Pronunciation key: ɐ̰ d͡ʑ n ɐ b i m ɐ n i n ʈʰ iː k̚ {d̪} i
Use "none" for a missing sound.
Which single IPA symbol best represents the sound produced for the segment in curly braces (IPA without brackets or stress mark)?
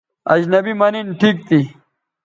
t̪